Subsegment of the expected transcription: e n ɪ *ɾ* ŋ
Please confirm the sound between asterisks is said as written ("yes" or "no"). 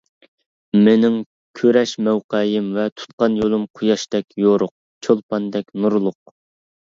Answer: no